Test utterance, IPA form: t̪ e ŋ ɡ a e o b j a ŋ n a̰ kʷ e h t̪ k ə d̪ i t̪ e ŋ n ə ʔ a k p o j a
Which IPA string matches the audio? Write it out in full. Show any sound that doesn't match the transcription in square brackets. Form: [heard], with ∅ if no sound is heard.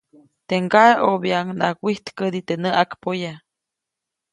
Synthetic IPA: t̪ e ŋ ɡ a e o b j a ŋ n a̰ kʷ [i] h t̪ k ə d̪ i t̪ e [∅] n ə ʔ a k p o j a